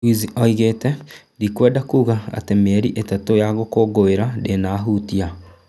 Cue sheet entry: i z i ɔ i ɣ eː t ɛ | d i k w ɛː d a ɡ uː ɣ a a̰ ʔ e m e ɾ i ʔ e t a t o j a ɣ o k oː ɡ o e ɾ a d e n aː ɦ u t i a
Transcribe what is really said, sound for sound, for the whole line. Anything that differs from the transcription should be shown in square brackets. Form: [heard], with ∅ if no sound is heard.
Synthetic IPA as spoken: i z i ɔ i ɣ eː t ɛ | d i k w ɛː d a [k] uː ɣ a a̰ [t] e m e ɾ i ʔ e t a t o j a ɣ o k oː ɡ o e ɾ a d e n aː ɦ u t i a